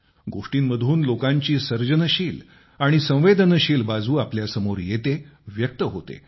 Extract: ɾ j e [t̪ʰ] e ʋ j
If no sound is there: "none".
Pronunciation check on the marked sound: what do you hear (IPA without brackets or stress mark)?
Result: t̪